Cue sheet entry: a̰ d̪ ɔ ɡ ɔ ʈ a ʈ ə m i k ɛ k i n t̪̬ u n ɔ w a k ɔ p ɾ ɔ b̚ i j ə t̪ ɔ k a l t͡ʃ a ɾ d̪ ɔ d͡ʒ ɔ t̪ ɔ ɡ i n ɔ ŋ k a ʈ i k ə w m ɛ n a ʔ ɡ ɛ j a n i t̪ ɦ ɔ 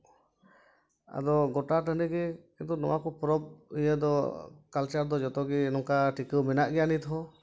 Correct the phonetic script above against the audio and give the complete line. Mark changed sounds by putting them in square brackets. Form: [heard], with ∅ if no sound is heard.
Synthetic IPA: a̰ d̪ ɔ ɡ ɔ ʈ a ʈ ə [n] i [ɡ] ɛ k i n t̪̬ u n ɔ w a k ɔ p ɾ ɔ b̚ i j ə [d̪] ɔ k a l t͡ʃ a ɾ d̪ ɔ d͡ʒ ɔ t̪ ɔ ɡ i n ɔ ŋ k a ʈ i k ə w m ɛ n a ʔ ɡ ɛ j a n i t̪ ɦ ɔ